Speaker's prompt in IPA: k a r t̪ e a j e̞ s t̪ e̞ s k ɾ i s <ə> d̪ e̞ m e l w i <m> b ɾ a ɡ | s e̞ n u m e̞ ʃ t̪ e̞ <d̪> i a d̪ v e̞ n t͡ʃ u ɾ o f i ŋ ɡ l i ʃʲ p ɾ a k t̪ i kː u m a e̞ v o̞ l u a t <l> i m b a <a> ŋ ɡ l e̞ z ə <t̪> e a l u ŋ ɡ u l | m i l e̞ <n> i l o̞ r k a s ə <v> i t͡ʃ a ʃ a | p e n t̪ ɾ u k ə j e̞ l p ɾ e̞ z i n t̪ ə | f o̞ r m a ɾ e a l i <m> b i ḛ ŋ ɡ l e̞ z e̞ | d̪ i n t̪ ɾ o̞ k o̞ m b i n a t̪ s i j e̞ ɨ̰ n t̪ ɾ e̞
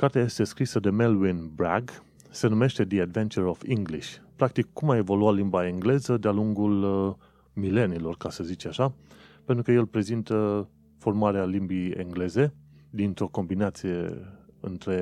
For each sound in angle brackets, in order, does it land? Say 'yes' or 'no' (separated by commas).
yes, no, yes, yes, no, no, yes, no, yes